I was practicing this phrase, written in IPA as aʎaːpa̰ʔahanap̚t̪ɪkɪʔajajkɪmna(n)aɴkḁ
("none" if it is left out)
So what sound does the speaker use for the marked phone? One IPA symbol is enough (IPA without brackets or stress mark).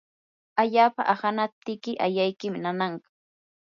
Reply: n